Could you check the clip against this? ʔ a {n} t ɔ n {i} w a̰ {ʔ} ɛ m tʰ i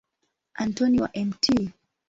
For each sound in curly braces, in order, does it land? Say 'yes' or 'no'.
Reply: yes, yes, yes

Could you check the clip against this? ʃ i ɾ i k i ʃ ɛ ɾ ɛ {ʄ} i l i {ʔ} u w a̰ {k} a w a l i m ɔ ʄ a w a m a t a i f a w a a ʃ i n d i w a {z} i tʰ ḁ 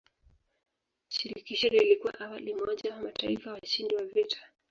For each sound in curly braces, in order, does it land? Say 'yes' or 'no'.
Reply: no, no, no, no

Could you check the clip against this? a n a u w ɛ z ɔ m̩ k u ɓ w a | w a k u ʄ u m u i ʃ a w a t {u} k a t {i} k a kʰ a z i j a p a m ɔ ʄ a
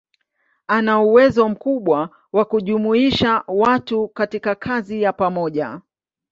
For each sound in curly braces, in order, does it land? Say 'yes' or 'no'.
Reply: yes, yes

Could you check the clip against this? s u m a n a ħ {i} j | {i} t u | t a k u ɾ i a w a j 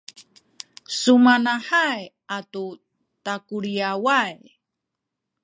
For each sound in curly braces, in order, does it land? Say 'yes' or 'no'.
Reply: no, no

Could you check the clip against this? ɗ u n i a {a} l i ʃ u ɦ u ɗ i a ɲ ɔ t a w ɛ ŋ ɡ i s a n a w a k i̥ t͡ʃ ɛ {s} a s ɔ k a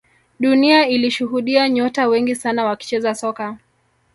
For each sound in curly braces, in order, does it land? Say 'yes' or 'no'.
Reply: no, no

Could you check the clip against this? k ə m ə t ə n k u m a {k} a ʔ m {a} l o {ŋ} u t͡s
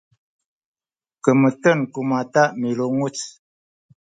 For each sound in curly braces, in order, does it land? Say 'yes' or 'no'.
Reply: no, no, yes

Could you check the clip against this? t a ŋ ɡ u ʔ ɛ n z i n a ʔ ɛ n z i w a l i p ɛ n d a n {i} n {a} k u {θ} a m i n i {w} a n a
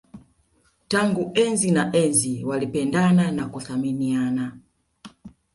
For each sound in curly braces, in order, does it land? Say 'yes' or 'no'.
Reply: no, yes, yes, no

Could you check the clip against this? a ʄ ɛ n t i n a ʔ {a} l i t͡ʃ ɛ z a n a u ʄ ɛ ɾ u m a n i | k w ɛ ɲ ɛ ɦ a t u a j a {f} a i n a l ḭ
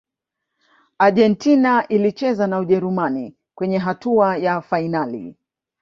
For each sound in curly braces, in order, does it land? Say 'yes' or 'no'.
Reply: no, yes

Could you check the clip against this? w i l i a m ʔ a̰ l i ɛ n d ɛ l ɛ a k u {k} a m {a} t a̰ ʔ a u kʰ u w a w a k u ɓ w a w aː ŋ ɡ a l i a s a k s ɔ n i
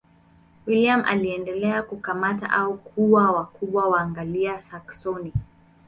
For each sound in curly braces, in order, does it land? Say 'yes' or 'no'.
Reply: yes, yes

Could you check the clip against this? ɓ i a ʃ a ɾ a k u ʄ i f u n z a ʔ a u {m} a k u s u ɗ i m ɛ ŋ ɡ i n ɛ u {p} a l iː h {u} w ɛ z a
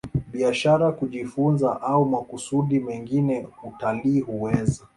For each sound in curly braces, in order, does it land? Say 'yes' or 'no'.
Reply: yes, no, yes

